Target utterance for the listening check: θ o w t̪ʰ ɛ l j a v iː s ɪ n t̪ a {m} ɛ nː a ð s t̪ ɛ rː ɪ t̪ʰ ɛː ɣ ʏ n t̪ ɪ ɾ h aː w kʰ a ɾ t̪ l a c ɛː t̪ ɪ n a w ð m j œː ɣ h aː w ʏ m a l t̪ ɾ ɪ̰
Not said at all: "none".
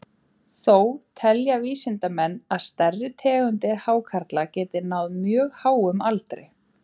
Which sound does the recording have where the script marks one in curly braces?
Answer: m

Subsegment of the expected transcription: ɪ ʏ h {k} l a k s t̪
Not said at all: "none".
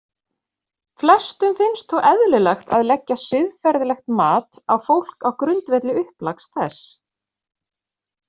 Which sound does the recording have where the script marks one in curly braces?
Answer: p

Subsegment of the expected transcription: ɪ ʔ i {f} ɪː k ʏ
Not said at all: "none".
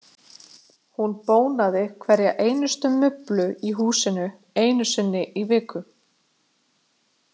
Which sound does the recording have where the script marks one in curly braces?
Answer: v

